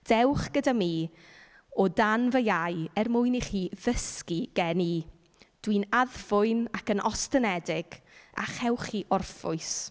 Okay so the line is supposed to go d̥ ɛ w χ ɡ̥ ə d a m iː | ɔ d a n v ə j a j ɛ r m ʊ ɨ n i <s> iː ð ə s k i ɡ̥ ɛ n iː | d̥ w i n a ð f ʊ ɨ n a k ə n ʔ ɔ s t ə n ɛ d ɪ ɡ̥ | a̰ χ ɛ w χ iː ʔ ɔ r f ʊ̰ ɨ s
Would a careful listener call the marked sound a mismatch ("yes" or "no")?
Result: yes